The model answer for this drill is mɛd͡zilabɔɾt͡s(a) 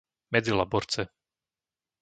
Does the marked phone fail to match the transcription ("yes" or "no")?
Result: yes